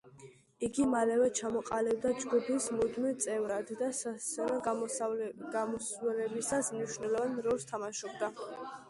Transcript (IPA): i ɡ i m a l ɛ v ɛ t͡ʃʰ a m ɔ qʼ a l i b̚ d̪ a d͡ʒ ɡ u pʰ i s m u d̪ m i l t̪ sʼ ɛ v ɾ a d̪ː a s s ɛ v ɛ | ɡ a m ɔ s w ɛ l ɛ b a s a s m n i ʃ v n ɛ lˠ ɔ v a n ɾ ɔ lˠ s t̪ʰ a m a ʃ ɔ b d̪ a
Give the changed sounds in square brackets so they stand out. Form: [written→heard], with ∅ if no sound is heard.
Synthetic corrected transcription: i ɡ i m a l ɛ v ɛ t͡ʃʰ a m ɔ qʼ a l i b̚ d̪ a d͡ʒ ɡ u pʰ i s m u d̪ m i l t̪ sʼ ɛ v ɾ a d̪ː a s s ɛ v ɛ | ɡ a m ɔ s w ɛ l ɛ b [a→i] s a s m n i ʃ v n ɛ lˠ ɔ v a n ɾ ɔ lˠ s t̪ʰ a m a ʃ ɔ b d̪ a